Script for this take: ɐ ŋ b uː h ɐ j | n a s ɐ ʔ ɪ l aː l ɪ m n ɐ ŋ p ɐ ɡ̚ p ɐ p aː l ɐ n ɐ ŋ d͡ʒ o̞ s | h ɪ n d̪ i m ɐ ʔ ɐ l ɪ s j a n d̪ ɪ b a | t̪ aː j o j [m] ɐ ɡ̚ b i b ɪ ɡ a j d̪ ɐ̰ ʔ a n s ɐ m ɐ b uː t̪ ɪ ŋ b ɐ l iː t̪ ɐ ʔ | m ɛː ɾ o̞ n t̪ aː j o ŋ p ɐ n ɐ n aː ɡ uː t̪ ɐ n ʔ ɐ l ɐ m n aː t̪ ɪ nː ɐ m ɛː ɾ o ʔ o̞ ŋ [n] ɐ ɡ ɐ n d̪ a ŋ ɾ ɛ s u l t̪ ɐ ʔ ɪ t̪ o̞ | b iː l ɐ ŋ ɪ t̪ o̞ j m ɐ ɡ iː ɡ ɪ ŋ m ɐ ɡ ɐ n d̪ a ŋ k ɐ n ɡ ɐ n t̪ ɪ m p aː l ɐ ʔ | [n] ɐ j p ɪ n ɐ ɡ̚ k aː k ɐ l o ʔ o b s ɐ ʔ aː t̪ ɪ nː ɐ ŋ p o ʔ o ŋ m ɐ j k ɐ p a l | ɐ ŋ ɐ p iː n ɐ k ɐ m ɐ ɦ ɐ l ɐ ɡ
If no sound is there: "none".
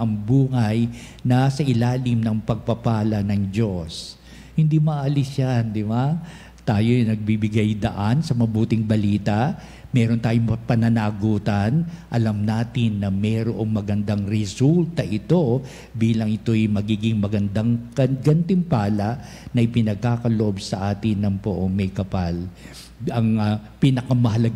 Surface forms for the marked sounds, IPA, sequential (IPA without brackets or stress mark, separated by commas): n, m, n